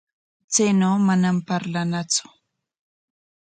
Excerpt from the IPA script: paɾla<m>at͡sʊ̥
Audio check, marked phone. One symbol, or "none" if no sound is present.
n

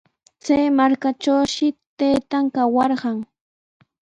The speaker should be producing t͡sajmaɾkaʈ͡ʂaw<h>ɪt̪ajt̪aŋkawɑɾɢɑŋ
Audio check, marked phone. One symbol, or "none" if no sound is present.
ʃ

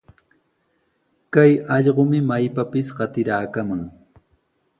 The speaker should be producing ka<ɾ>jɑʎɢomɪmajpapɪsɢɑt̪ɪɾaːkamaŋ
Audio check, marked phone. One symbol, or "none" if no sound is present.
none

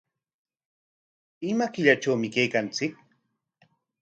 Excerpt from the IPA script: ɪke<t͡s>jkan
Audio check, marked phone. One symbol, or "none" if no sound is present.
none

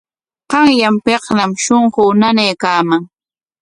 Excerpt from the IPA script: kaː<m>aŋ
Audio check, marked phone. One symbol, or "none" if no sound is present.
m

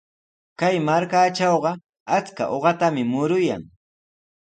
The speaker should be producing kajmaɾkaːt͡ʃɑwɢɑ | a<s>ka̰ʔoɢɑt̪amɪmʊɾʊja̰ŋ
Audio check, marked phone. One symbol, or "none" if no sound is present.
t͡s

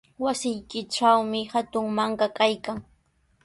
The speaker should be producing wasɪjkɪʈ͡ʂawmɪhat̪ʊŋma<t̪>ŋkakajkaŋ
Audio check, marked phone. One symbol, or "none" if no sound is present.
none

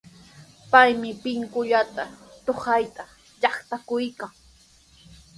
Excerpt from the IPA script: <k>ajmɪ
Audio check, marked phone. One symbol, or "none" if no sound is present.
p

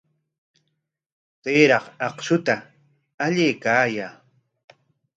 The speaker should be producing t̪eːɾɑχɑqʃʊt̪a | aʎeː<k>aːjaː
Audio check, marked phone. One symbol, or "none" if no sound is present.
k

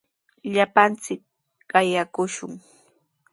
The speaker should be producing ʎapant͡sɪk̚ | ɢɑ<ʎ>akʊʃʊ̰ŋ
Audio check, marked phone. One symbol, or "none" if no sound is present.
j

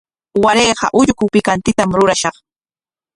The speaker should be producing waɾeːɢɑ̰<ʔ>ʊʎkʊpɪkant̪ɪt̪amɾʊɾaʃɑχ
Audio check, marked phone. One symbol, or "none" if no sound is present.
ʔ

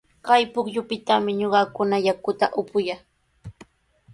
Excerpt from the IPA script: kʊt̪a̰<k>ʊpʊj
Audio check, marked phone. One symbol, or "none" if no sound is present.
ʔ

